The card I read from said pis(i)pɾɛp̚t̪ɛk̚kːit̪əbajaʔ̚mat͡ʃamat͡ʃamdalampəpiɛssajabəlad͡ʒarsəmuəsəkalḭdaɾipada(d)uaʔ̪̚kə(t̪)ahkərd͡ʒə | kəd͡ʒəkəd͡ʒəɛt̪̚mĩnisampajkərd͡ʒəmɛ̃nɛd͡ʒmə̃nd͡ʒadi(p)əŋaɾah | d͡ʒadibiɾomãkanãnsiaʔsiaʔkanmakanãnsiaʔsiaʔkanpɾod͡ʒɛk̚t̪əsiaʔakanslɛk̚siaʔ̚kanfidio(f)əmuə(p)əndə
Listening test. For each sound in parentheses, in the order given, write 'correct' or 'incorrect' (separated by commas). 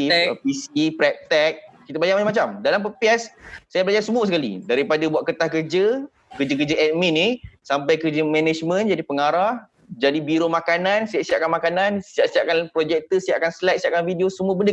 correct, incorrect, correct, correct, incorrect, incorrect